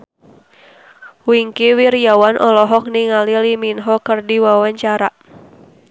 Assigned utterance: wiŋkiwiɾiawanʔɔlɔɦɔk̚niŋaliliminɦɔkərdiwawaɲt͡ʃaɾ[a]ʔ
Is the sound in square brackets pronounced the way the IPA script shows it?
yes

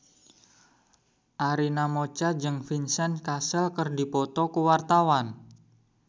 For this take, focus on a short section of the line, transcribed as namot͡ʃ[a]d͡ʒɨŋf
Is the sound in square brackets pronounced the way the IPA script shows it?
yes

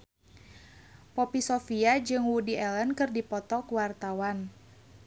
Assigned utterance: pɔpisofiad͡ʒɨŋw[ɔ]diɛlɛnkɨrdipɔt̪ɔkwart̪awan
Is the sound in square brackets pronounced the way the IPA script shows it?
no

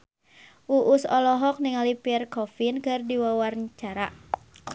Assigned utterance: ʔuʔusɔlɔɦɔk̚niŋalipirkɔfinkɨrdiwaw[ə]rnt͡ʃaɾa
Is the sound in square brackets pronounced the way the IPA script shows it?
no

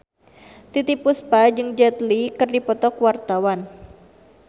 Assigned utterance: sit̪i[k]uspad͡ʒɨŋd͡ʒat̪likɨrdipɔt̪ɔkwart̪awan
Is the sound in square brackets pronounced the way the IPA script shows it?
no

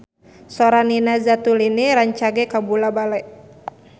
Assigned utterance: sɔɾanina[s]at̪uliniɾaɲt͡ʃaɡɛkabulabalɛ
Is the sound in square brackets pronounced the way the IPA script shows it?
no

